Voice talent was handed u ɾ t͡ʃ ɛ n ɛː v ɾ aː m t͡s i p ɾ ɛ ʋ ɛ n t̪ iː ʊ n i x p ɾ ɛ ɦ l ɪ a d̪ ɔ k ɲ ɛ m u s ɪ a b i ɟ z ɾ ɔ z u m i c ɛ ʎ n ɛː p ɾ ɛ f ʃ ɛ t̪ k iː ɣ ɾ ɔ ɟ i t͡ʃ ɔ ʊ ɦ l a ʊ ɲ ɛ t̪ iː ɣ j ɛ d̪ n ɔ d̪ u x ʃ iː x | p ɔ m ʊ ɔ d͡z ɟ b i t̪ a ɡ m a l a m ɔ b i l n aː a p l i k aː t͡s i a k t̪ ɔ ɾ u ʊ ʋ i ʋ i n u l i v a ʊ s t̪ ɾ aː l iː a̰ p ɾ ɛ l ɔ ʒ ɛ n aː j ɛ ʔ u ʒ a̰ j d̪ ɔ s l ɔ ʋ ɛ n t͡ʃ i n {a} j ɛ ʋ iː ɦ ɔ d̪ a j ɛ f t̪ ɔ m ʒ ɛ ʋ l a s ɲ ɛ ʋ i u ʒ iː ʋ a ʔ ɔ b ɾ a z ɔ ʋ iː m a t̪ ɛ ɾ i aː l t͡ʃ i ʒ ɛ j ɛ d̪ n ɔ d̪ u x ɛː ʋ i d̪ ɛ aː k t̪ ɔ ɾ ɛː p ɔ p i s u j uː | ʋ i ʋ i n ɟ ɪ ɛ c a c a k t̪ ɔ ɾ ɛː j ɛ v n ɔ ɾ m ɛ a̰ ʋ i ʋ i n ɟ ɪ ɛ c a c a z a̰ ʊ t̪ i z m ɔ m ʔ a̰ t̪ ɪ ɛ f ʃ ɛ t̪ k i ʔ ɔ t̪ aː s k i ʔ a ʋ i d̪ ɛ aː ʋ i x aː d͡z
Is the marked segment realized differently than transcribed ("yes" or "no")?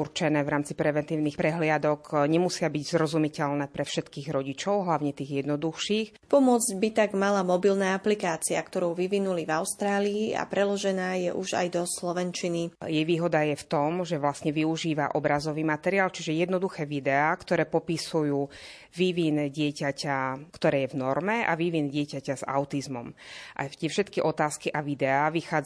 yes